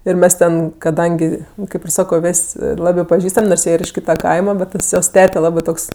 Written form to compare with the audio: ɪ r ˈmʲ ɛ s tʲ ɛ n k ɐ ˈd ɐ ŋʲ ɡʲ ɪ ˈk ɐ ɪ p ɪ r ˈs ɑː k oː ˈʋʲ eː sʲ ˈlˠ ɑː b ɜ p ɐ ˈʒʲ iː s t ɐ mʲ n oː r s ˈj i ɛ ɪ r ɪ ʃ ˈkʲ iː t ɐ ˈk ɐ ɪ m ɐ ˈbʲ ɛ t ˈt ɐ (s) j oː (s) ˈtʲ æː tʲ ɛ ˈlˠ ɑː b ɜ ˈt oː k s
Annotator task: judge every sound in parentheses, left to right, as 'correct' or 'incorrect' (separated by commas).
correct, correct